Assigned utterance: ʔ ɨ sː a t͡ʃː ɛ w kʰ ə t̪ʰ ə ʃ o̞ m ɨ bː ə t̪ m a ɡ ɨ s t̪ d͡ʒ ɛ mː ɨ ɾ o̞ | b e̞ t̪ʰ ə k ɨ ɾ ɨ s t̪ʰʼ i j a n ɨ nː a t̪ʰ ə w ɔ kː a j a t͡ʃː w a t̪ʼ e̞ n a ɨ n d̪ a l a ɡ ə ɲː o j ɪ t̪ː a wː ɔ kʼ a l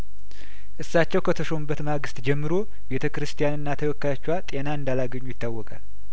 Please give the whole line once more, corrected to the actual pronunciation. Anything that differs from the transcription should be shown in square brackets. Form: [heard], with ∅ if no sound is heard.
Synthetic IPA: ʔ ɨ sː a t͡ʃː ɛ w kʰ ə t̪ʰ ə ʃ o̞ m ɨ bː ə t̪ m a ɡ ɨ s t̪ d͡ʒ ɛ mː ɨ ɾ o̞ | b e̞ t̪ʰ ə k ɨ ɾ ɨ s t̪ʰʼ i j a n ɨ nː a t̪ʰ ə w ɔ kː a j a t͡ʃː w a t̪ʼ e̞ n a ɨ n d̪ a l a ɡ ə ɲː [u] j ɪ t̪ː a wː ɔ kʼ a l